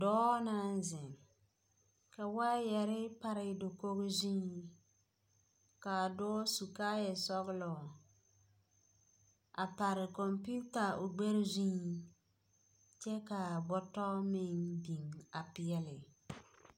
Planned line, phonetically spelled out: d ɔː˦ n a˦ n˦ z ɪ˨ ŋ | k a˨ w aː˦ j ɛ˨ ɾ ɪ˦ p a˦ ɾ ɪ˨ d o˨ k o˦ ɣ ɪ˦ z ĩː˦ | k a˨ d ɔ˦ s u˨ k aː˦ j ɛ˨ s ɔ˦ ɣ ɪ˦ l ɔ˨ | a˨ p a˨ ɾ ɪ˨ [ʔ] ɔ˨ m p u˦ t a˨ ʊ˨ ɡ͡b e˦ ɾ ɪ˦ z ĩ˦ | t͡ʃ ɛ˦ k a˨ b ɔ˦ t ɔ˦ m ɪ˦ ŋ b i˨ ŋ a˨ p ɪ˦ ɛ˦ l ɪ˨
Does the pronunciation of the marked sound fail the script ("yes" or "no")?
yes